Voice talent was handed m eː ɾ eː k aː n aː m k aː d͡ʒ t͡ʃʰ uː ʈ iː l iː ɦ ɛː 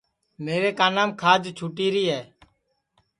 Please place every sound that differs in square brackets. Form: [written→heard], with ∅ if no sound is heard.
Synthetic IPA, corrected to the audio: m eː ɾ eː k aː n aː m [k→kʰ] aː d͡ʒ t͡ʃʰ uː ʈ iː [l→ɾ] iː ɦ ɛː